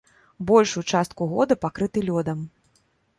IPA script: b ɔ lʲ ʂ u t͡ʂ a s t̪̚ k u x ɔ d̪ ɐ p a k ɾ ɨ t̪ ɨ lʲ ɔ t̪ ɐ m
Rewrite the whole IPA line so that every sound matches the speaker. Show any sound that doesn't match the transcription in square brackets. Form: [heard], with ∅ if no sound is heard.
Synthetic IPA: b ɔ lʲ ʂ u t͡ʂ a s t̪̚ k u [ɣ] ɔ d̪ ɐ p a k ɾ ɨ t̪ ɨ lʲ ɔ [d̪] ɐ m